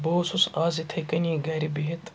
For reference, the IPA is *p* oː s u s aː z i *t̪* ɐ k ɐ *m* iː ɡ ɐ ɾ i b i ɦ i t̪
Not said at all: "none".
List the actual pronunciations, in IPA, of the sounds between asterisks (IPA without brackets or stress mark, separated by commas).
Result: b, t̪ʰ, n